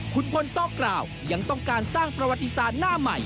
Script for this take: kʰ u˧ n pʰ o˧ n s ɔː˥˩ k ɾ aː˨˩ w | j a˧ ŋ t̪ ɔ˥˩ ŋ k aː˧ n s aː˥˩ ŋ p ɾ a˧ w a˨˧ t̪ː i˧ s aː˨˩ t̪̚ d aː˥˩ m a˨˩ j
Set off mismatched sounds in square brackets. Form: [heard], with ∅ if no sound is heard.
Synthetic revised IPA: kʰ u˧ n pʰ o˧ n s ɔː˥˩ k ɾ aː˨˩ w | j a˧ ŋ t̪ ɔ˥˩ ŋ k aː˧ n s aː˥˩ ŋ p ɾ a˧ w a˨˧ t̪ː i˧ s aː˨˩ t̪̚ [n] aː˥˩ m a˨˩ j